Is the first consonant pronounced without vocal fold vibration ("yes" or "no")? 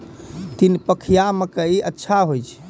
yes